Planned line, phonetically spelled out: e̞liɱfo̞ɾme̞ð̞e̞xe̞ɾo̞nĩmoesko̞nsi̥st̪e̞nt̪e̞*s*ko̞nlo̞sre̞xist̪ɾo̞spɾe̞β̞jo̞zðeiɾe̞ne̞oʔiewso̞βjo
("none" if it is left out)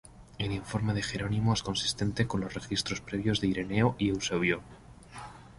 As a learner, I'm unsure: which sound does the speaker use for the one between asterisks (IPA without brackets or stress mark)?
none